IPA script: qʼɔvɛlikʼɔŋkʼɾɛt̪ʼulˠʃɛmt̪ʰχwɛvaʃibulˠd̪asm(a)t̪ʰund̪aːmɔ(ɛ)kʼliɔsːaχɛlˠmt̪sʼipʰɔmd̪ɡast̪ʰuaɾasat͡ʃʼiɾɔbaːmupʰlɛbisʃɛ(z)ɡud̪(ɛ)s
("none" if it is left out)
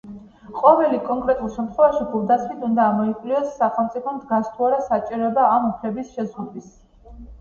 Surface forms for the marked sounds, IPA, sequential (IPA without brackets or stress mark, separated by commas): i, i, z, i